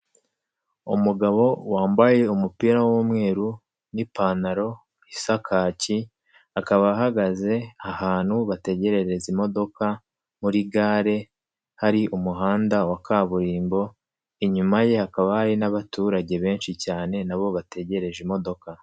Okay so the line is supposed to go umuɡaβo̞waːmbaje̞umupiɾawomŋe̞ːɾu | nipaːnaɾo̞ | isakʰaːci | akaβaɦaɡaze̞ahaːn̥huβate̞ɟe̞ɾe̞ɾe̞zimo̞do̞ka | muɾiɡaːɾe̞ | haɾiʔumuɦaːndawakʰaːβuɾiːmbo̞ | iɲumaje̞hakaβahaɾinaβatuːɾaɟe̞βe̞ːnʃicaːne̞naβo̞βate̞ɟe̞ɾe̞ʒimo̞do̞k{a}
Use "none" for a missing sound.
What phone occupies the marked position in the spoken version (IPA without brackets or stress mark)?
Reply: a